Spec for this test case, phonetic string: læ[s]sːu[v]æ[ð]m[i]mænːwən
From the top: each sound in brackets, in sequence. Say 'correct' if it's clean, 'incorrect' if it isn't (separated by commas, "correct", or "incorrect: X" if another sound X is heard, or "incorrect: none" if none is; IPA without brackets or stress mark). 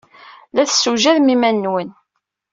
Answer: incorrect: θ, incorrect: ʒ, correct, correct